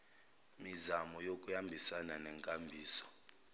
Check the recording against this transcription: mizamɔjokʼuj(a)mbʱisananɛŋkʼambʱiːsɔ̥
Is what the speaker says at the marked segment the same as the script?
yes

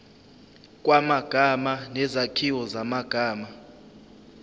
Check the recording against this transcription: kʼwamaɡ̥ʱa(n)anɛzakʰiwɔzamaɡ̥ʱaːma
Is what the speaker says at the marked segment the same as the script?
no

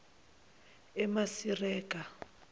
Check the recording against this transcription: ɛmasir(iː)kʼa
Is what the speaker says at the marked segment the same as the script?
no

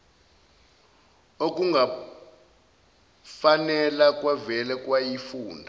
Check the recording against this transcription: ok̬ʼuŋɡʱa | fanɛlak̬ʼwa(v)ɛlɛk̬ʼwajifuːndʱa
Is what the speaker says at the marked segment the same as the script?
yes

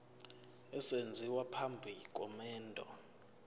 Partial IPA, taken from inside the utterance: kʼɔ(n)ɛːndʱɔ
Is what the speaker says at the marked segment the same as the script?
no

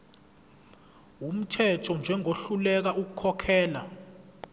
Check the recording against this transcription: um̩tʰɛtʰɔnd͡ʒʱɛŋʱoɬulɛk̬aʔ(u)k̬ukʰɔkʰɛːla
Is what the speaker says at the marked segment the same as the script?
yes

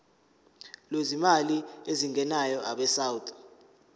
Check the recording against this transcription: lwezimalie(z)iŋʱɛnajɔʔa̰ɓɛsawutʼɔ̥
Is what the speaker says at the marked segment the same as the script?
yes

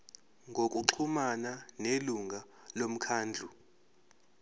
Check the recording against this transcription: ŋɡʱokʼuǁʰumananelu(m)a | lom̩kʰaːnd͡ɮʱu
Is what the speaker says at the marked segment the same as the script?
no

